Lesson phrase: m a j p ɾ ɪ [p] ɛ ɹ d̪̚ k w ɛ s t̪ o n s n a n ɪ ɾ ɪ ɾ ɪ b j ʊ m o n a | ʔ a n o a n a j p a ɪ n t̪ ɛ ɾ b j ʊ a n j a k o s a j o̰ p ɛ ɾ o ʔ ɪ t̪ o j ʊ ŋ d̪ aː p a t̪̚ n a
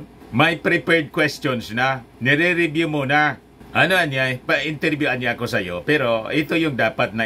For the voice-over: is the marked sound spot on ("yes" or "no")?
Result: yes